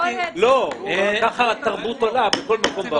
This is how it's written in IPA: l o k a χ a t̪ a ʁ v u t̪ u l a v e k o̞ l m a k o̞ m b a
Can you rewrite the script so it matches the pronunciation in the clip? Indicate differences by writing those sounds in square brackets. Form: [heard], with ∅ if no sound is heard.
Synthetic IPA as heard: l o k a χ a t̪ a ʁ [b] u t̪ [o] l a [b] e k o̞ l m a k o̞ m b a